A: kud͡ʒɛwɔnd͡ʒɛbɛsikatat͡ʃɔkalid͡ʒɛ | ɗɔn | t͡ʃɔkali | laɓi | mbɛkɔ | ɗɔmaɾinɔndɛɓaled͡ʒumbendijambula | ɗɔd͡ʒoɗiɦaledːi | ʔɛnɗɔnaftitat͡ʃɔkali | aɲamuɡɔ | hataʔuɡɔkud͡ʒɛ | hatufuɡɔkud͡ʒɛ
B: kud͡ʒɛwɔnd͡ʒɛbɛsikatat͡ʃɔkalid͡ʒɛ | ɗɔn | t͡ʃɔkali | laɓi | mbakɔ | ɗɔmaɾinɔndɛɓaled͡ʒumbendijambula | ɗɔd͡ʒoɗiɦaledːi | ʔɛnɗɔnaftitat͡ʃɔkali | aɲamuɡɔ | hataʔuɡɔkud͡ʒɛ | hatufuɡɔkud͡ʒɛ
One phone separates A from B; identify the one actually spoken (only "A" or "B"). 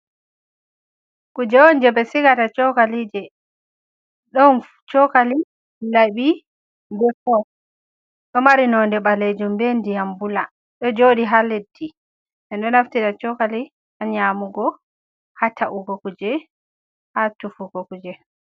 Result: A